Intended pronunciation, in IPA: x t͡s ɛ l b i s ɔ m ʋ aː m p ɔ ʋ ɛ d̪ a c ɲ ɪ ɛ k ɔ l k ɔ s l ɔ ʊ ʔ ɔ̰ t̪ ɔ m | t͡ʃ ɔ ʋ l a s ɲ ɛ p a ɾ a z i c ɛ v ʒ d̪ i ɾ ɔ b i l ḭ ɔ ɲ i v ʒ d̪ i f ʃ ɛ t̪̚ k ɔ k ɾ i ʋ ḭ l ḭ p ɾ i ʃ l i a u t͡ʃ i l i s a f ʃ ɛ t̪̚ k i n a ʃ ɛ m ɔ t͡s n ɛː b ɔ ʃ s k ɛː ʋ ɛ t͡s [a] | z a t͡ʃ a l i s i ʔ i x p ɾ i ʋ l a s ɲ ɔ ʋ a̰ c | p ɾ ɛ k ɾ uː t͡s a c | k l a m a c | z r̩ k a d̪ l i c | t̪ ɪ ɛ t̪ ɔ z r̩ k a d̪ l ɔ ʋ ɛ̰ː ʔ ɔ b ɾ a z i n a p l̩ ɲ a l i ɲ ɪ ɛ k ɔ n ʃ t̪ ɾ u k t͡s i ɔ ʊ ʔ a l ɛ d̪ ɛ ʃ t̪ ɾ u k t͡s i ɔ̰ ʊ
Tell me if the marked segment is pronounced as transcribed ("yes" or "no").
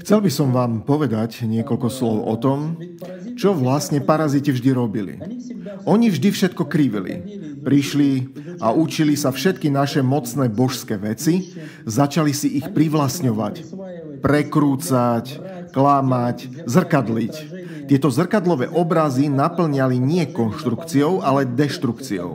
no